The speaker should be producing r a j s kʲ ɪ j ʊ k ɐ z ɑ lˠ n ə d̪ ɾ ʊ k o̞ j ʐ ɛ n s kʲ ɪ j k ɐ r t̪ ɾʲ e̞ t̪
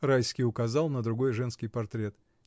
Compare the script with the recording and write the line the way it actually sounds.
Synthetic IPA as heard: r a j s kʲ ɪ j ʊ k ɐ z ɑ lˠ n ə d̪ ɾ ʊ ɡ o̞ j ʐ ɛ n s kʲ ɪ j p ɐ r t̪ ɾʲ e̞ t̪